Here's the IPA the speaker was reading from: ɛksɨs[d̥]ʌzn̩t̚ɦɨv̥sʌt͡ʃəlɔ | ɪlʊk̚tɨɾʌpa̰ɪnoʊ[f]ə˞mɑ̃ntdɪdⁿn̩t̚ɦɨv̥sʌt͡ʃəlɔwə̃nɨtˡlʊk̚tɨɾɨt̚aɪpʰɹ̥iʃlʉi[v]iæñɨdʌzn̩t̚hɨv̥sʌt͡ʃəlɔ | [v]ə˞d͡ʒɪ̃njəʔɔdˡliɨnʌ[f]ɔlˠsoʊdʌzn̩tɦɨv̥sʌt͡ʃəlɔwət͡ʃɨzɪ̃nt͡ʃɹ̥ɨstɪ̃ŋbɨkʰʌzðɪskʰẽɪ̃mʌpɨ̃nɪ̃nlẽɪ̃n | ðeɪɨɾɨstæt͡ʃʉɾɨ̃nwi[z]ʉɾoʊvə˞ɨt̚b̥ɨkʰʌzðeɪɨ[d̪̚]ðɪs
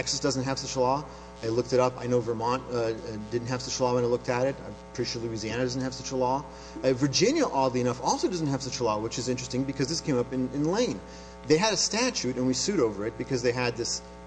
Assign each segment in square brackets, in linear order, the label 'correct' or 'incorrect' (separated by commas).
correct, incorrect, incorrect, correct, correct, incorrect, correct